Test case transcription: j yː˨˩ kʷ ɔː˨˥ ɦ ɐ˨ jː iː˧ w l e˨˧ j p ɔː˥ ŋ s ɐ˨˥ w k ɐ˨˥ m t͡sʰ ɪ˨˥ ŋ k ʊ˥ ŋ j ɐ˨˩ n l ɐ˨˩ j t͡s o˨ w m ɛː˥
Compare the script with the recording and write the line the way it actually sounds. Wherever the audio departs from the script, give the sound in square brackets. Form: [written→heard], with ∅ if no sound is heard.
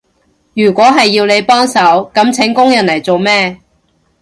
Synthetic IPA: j yː˨˩ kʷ ɔː˨˥ ɦ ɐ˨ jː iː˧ w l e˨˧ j p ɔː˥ ŋ s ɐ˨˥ w k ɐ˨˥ m t͡sʰ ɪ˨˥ ŋ k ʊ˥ ŋ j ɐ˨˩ n l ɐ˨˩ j t͡s o˨ w m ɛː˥